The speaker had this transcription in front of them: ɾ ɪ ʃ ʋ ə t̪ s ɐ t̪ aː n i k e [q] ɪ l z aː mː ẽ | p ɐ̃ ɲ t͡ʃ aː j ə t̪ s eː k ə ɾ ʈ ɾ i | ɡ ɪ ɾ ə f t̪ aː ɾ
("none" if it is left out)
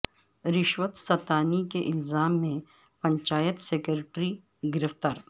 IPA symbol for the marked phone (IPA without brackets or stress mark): ʔ